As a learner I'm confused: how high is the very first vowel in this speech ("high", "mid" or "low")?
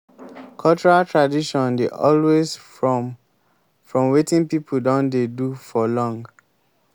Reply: mid